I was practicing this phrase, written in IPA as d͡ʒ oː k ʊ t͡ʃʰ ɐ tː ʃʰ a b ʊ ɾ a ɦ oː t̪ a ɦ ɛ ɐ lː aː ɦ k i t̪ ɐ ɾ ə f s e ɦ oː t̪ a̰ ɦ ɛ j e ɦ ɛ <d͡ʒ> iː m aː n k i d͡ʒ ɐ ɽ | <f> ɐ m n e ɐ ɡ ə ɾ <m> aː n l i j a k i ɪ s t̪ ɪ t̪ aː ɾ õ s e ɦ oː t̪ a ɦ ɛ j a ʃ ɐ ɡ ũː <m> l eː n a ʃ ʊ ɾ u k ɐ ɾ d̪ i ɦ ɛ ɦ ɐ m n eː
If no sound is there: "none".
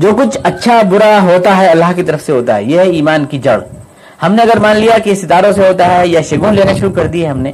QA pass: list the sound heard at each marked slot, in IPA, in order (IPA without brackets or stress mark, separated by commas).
none, h, m, n